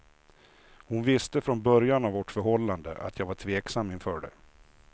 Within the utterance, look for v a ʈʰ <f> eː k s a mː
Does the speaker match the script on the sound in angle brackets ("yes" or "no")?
no